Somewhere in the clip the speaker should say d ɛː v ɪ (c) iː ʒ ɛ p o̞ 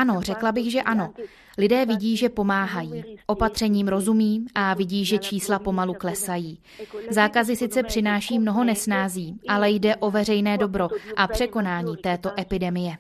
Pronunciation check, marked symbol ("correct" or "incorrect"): incorrect